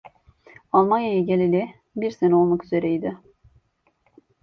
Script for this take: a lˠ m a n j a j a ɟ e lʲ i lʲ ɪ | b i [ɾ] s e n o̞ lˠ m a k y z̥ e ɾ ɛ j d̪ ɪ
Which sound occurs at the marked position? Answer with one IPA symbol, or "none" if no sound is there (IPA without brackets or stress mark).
ɾ